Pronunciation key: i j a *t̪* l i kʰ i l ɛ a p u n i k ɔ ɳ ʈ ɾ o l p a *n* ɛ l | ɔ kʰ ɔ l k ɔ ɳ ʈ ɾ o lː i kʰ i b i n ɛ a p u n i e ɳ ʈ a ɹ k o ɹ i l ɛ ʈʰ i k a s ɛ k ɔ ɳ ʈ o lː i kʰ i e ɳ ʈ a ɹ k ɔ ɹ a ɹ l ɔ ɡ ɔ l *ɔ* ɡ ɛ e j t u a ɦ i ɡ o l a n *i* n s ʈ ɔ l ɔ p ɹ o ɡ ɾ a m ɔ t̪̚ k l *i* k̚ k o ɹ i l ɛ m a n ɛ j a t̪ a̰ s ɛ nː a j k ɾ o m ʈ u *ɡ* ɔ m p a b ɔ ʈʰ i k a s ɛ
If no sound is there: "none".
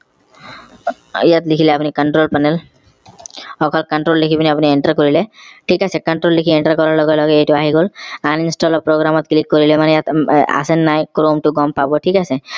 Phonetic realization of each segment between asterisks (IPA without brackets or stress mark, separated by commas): t̪, n, ɔ, i, i, ɡ